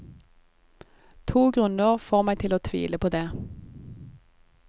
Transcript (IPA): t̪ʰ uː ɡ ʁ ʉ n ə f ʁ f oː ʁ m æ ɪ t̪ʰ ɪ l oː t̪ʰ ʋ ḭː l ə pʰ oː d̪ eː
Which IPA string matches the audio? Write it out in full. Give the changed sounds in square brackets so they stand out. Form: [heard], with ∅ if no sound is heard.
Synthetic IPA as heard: t̪ʰ uː ɡ ʁ ʉ n ə [∅] ʁ f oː ʁ m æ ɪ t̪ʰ ɪ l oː t̪ʰ ʋ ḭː l ə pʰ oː d̪ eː